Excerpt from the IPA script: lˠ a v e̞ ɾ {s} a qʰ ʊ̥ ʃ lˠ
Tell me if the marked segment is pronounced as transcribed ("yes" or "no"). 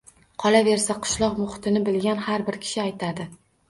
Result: yes